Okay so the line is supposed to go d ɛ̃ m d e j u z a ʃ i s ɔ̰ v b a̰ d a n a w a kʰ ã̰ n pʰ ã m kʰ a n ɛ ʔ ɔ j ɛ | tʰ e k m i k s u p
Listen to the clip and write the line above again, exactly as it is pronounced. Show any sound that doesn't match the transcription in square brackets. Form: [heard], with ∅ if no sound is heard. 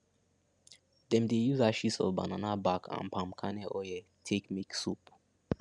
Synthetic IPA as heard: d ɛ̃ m d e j u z a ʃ i s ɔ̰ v b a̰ [n] a n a [b] a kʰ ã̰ n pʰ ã m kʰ a n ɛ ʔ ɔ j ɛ | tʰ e k m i k s u p